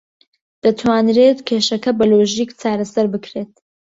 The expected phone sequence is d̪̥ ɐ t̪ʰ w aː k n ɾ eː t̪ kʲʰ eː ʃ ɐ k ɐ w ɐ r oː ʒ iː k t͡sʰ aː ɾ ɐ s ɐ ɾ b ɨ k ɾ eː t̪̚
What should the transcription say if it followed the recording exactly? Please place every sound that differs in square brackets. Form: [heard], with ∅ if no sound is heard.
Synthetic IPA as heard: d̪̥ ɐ t̪ʰ w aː [∅] n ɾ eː t̪ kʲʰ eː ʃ ɐ k ɐ [b] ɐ [l] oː ʒ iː k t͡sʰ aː ɾ ɐ s ɐ ɾ b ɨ k ɾ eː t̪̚